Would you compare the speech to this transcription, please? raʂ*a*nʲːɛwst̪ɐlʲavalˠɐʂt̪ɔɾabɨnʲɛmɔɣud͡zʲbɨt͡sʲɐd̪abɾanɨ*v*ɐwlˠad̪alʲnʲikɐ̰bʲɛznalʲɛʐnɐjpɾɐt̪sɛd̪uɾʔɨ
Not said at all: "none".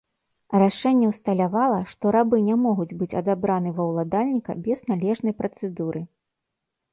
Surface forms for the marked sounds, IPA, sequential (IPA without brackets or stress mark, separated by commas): ɛ, v